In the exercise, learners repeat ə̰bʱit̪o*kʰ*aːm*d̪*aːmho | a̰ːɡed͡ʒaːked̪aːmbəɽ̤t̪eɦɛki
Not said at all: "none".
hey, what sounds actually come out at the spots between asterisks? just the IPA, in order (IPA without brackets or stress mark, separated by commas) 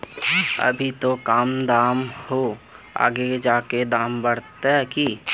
k, d̪